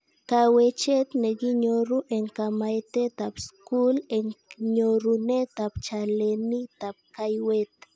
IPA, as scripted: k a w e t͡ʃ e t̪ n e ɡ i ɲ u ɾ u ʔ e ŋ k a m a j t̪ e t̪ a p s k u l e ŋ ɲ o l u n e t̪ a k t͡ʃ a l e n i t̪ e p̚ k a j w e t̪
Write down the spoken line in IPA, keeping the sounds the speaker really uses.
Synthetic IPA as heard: k a w e t͡ʃ e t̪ n e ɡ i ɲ o ɾ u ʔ e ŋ k a m a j t̪ e t̪ a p s k u l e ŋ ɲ o ɾ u n e t̪ a p t͡ʃ a l e n i t̪ a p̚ k a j w e t̪